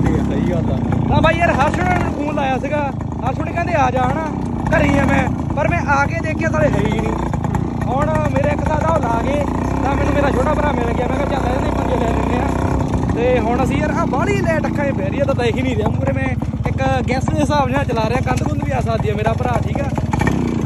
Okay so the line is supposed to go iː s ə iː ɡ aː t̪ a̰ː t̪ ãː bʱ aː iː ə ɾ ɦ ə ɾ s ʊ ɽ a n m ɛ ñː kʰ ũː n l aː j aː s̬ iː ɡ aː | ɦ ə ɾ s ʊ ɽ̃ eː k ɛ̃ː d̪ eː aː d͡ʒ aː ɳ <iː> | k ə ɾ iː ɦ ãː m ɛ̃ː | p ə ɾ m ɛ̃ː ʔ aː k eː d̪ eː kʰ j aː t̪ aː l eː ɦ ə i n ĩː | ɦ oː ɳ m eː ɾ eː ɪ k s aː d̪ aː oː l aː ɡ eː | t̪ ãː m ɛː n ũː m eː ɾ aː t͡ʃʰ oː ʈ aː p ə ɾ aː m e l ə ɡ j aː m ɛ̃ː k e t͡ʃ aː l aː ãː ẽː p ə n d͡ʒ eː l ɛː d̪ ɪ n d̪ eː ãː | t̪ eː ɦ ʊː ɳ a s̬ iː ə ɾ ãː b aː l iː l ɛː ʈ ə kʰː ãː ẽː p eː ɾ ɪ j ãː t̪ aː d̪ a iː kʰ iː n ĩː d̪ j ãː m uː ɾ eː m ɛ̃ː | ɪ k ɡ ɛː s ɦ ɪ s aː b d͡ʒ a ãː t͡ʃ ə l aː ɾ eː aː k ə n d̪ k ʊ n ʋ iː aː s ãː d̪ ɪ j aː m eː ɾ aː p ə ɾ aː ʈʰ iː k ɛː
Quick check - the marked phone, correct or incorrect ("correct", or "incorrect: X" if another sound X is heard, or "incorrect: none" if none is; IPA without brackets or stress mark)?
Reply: incorrect: aː